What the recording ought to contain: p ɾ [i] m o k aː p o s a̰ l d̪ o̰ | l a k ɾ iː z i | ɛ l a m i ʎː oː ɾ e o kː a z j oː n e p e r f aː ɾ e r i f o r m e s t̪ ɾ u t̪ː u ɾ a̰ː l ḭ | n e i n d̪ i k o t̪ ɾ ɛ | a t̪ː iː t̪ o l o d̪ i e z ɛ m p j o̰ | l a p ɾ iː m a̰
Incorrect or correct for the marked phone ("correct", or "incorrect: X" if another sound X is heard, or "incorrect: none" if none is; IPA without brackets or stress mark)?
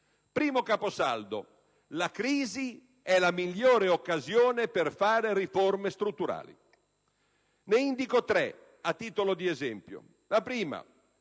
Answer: incorrect: iː